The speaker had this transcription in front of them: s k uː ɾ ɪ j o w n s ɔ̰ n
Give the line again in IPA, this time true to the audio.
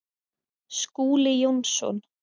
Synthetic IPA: s k uː l ɪ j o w n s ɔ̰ n